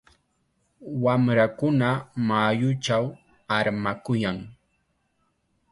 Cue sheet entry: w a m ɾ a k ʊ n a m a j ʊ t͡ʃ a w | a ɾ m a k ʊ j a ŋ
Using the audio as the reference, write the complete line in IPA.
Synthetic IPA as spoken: w a m ɾ a k ʊ n a m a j ʊ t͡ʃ a w | a ɾ m a k ʊ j a ŋ

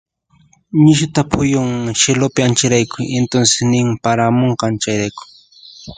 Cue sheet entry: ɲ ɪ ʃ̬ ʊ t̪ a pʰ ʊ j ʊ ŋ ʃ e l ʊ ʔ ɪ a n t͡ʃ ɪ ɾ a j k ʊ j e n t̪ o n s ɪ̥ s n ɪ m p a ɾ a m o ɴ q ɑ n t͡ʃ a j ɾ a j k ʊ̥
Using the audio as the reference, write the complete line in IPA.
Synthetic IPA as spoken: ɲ ɪ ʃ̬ ʊ t̪ a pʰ ʊ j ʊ ŋ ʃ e l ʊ p ɪ a n t͡ʃ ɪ ɾ a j k ʊ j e n t̪ o n s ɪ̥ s n ɪ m p a ɾ a m o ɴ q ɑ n t͡ʃ a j ɾ a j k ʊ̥

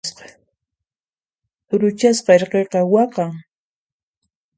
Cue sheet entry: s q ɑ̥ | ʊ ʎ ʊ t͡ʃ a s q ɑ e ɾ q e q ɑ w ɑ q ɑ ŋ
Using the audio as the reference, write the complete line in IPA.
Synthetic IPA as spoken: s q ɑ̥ | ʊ ɾ ʊ t͡ʃ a s q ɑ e ɾ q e q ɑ w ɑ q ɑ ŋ

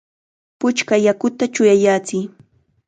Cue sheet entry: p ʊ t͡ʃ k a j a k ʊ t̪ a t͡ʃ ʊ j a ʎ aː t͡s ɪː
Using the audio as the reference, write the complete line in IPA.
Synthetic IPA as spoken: p ʊ t͡ʃ k a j a k ʊ t̪ a t͡ʃ ʊ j a j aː t͡s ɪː

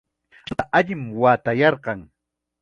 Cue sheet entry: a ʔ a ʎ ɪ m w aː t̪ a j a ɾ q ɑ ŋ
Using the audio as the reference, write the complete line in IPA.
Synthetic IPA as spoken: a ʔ a ʎ ɪ m w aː t̪ a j ɑ ɾ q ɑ ŋ

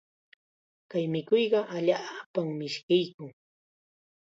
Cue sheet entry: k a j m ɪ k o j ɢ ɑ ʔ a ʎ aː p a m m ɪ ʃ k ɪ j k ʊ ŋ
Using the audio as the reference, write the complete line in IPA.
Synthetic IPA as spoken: k a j m ɪ k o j ɢ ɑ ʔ a ʎ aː p a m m ɪ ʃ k ɪ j k ʊ ŋ

